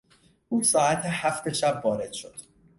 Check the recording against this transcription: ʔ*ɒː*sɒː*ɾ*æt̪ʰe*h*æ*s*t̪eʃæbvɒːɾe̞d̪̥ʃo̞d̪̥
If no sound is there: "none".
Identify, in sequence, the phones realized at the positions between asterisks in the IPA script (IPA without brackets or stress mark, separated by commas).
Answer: uː, none, h, f